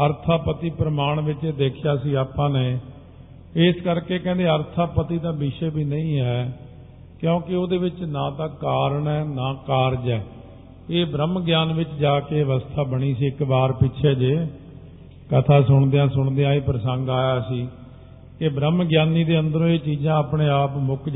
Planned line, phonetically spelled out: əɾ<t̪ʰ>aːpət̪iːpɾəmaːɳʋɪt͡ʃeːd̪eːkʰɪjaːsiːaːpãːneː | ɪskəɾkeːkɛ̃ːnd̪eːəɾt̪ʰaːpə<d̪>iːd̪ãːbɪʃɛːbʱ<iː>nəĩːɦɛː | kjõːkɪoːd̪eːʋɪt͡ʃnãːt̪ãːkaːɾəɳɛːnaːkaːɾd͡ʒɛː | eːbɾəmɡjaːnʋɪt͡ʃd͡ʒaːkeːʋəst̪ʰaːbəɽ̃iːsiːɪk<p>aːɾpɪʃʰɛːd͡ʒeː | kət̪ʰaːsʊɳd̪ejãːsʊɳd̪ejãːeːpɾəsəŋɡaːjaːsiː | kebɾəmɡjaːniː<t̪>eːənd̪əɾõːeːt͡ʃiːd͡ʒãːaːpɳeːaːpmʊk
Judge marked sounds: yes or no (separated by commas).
yes, no, yes, no, no